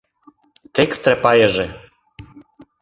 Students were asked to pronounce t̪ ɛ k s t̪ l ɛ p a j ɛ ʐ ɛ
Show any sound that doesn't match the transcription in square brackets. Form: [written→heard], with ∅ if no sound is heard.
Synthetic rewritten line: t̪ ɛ k s t̪ [l→ɾ] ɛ p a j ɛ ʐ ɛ